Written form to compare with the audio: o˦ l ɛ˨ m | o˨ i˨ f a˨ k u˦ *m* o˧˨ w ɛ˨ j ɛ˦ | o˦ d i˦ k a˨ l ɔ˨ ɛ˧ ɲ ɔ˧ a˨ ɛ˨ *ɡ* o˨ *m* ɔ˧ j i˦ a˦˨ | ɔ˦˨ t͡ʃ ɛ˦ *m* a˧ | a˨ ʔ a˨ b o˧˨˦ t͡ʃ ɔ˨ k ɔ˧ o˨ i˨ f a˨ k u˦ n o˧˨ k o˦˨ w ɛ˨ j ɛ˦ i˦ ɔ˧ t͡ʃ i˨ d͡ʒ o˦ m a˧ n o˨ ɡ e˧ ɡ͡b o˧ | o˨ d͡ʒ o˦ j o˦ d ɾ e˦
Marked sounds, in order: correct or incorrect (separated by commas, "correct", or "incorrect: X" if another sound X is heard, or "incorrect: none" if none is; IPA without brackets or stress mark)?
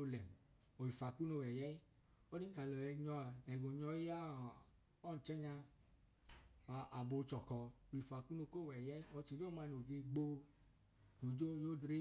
incorrect: n, correct, incorrect: ɲ, incorrect: ɲ